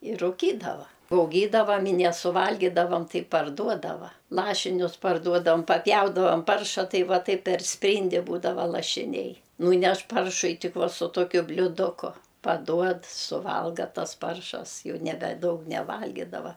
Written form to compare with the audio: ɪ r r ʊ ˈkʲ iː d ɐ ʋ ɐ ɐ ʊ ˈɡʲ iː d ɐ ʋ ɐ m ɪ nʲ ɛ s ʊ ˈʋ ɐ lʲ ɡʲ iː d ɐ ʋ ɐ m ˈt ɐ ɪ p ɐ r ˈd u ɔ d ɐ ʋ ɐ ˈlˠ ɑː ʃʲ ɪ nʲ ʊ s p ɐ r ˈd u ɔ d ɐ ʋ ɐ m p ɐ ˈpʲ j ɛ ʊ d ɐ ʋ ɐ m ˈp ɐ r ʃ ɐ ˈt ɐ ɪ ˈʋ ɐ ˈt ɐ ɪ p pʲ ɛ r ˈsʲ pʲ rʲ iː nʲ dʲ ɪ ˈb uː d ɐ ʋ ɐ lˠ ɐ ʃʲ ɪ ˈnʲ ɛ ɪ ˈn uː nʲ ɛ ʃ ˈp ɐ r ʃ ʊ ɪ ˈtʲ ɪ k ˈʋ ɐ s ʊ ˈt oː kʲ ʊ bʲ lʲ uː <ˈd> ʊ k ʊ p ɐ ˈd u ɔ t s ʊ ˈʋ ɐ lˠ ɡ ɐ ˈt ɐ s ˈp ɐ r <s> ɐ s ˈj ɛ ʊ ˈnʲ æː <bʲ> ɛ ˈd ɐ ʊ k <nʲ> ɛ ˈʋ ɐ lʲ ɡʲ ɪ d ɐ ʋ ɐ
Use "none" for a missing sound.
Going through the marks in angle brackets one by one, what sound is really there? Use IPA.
d, ʃ, bʲ, nʲ

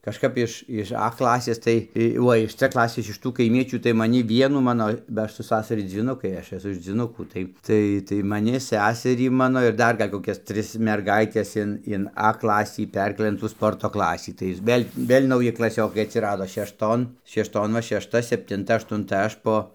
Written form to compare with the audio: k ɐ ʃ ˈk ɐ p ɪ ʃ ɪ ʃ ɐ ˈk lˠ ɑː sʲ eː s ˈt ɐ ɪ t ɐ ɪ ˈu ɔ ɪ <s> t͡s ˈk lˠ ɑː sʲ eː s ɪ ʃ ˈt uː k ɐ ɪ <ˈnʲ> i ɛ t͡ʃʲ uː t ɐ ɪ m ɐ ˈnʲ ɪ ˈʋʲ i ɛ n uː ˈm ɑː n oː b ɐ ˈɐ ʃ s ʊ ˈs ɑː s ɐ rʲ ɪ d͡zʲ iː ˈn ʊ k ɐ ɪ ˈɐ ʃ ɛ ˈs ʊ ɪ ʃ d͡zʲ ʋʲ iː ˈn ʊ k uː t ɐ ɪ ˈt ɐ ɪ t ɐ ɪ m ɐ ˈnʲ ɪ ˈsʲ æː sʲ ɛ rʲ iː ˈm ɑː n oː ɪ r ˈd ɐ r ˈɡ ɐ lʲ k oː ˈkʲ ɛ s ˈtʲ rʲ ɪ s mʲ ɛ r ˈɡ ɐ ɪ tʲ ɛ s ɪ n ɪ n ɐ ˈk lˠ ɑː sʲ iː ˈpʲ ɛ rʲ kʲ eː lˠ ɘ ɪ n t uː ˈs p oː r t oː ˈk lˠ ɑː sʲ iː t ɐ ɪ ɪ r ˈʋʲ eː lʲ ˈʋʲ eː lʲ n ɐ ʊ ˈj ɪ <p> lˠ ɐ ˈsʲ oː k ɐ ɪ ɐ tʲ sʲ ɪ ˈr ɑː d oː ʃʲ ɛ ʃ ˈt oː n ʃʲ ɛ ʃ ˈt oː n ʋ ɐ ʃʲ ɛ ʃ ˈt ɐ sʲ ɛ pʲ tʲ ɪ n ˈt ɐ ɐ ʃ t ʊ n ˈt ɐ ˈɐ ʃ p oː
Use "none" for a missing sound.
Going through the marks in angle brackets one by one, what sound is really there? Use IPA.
ʃ, mʲ, k

